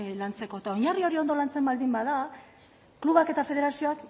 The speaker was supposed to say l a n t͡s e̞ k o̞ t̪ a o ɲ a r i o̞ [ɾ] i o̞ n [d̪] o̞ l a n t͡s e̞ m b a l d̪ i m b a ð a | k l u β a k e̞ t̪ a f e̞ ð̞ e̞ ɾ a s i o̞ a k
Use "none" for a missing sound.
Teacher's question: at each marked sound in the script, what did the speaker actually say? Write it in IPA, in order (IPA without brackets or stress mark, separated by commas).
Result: ɾ, d̪